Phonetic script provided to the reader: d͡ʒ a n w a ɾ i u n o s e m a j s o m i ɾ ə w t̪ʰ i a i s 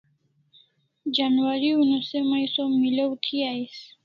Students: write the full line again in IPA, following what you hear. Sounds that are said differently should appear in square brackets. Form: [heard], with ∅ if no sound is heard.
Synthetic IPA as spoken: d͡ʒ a n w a ɾ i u n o s e m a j s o m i [l] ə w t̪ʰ i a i s